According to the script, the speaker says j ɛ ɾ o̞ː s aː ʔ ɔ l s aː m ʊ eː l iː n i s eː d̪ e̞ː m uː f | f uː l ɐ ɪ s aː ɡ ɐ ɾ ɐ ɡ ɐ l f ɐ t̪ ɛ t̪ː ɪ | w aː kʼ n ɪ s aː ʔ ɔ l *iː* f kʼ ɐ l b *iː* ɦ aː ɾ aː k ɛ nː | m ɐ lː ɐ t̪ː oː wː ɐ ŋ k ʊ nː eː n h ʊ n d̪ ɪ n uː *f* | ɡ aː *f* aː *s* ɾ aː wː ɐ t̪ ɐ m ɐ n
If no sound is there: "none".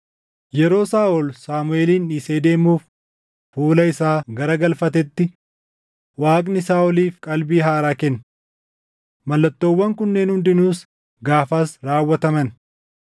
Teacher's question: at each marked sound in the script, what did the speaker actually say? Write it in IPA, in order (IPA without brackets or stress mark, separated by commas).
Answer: iː, iː, s, f, s